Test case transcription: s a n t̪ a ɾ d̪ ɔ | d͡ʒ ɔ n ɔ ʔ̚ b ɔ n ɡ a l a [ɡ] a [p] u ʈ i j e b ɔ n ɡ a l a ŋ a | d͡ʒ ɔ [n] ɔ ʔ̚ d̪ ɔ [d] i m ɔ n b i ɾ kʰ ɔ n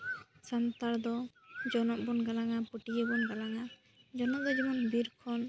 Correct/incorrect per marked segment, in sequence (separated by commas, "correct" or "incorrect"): incorrect, correct, correct, incorrect